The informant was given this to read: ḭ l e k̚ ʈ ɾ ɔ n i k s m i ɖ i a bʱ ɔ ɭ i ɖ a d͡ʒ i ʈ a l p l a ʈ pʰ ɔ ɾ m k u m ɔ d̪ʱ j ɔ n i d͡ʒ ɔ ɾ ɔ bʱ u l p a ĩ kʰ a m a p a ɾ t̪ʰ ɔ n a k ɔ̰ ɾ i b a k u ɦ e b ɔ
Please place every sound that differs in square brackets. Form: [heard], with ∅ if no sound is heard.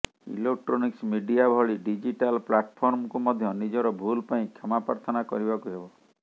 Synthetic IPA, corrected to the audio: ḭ l e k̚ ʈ ɾ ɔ n i k s m i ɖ i a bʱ ɔ ɭ i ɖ [i] d͡ʒ i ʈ a l p l a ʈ pʰ ɔ ɾ m k u m ɔ d̪ʱ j ɔ n i d͡ʒ ɔ ɾ ɔ bʱ u l p a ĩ kʰ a m a p a ɾ t̪ʰ ɔ n a k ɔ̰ ɾ i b a k u ɦ e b ɔ